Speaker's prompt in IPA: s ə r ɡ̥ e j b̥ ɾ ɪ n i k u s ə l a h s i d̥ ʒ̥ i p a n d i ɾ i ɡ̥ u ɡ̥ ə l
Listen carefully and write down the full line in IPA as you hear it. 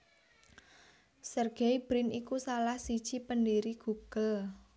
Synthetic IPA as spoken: s ə r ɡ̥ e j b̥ ɾ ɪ n i k u s a l a h s i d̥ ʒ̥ i p ə n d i ɾ i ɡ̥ u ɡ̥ ə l